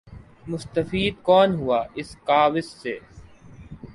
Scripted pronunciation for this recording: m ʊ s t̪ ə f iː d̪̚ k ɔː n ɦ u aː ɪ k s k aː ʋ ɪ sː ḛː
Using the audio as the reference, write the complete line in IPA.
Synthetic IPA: m ʊ s t̪ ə f iː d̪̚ k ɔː n ɦ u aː ɪ s k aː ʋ ɪ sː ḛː